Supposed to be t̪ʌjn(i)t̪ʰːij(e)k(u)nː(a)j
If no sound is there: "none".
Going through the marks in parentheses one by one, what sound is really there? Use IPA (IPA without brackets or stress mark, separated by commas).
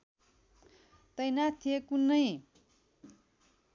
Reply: a, e, u, ʌ